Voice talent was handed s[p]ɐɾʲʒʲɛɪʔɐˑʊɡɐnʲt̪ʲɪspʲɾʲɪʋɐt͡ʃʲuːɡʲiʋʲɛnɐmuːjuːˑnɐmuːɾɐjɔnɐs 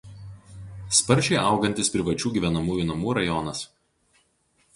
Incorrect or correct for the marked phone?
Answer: correct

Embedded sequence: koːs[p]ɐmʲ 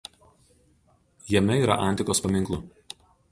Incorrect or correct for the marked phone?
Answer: correct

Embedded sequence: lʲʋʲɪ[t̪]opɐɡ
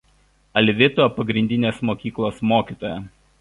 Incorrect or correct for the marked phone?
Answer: correct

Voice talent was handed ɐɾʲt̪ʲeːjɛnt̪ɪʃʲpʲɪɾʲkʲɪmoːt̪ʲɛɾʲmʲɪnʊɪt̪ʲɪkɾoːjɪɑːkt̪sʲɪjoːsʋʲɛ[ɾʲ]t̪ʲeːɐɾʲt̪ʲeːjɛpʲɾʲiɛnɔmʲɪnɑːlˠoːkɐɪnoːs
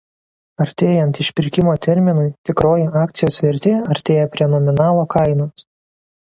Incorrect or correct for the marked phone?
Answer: correct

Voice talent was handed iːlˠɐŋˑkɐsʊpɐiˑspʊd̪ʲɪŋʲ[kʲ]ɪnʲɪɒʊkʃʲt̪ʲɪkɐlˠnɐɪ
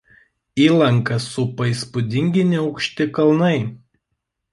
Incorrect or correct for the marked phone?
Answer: incorrect: ɡʲ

